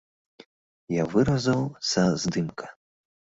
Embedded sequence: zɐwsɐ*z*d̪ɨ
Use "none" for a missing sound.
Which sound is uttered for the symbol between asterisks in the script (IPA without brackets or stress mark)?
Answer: z